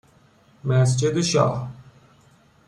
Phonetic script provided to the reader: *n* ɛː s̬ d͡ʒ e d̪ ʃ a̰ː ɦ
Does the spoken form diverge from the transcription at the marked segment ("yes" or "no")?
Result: yes